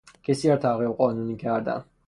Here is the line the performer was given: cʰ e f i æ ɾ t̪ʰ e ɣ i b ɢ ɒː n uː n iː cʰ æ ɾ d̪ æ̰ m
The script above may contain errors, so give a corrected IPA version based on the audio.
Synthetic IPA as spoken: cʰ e s i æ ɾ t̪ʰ æ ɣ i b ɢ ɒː n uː n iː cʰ æ ɾ d̪ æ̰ n